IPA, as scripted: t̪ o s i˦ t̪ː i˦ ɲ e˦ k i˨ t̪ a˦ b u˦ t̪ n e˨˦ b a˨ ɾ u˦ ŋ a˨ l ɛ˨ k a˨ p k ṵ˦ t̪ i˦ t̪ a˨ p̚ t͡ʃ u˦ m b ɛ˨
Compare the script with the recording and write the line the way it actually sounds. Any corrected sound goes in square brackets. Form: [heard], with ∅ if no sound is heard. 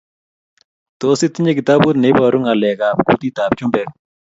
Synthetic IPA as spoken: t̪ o s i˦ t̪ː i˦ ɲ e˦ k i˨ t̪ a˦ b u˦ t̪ n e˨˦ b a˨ ɾ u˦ ŋ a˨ l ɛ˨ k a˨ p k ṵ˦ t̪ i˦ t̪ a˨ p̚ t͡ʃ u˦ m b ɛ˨